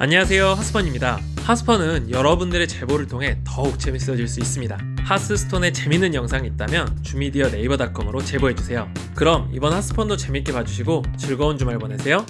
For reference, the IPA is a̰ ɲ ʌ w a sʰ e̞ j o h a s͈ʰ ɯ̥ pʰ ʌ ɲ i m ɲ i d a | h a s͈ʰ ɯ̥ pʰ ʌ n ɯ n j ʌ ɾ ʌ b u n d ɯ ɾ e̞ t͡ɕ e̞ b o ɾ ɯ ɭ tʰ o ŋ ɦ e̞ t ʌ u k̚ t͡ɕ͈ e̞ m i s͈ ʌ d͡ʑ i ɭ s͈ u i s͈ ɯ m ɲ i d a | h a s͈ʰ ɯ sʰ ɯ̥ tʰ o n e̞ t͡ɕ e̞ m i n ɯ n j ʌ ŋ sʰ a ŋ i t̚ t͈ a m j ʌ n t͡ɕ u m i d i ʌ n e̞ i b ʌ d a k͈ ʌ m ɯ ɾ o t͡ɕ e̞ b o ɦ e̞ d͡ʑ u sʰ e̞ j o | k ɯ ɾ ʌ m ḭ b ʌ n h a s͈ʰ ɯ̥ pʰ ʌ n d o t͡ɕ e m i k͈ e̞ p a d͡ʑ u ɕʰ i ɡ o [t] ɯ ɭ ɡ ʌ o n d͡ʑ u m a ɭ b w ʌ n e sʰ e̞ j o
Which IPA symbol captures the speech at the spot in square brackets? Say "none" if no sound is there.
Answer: t͡ɕ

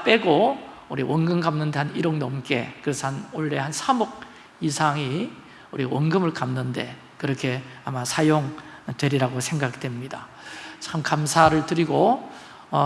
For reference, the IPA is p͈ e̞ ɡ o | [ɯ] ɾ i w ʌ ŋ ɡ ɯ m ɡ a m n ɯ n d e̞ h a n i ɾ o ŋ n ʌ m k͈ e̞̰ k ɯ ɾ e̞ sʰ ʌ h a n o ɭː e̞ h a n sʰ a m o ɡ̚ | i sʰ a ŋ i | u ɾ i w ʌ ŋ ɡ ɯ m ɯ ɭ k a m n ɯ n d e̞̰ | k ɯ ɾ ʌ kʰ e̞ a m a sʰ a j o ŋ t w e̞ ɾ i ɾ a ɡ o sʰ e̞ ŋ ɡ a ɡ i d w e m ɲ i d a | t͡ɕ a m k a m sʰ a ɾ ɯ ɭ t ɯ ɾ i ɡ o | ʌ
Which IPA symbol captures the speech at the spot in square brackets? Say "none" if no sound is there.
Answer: u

